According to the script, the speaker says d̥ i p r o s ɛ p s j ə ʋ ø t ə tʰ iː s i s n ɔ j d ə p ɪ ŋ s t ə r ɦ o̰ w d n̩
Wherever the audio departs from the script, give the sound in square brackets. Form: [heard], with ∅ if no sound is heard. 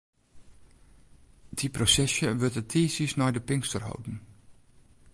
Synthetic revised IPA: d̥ i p r o s ɛ [∅] s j ə ʋ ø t ə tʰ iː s i s n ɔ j d ə p ɪ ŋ s t ə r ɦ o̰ w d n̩